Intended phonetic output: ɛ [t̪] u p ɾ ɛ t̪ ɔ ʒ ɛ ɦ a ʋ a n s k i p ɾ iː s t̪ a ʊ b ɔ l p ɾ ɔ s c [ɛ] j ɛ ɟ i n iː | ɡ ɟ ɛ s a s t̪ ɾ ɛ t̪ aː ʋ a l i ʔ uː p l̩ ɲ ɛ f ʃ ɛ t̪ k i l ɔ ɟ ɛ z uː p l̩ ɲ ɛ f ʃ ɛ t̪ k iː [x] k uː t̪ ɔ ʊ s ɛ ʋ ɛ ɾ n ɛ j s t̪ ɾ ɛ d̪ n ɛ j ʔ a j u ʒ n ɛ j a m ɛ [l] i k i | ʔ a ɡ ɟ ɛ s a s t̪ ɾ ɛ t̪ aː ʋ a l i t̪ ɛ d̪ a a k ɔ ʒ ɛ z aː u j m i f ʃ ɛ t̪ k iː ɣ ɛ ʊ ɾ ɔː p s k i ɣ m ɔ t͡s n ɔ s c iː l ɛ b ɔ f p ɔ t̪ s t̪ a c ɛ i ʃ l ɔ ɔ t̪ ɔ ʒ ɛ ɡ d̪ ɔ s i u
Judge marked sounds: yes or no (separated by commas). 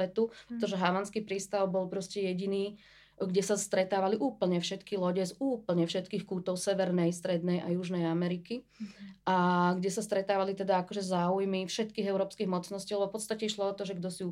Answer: yes, yes, yes, no